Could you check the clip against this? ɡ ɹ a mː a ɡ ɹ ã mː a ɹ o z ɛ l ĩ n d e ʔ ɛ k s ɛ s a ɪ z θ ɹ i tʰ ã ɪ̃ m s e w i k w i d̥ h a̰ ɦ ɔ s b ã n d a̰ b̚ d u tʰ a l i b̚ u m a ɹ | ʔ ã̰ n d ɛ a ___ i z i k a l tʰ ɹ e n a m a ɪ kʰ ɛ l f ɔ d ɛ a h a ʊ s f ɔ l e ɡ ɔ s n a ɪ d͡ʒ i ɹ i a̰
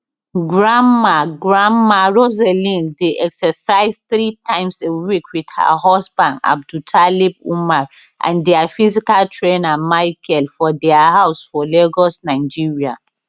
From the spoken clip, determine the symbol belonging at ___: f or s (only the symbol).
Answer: f